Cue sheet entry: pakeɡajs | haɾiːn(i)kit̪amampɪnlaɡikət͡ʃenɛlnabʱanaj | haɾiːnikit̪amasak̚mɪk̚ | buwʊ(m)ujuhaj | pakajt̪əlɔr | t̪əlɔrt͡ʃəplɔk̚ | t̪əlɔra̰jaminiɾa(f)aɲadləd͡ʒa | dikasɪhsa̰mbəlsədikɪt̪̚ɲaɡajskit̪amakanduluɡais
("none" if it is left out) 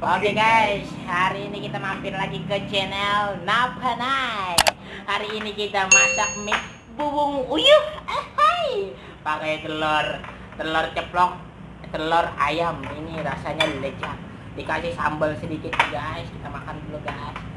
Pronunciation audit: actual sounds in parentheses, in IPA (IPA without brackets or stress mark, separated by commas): i, ŋ, s